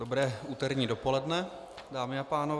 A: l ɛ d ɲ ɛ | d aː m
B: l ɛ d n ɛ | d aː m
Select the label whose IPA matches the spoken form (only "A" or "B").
B